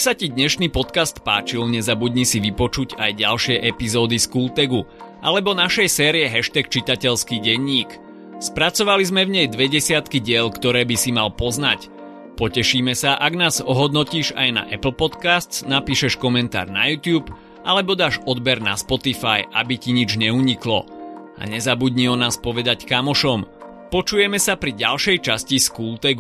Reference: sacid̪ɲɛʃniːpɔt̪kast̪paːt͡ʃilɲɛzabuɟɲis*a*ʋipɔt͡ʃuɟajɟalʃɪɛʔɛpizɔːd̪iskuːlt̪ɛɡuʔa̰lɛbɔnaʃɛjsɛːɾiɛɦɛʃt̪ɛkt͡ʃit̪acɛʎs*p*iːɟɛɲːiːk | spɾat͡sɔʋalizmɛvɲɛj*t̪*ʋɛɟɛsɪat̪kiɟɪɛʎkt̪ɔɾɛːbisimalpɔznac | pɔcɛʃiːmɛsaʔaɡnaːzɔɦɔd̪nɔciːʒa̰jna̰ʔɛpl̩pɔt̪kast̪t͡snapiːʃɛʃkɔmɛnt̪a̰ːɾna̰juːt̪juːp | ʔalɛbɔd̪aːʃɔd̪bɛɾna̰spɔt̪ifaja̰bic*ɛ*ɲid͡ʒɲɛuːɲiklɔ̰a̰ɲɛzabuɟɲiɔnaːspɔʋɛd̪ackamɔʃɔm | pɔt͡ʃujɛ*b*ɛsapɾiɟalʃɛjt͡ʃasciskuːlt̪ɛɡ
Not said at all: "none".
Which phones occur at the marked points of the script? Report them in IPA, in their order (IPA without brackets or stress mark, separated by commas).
i, k, d̪, i, m